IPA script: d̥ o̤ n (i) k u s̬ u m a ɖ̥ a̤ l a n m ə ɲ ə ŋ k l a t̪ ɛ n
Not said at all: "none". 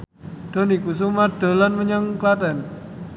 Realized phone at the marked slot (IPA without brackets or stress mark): i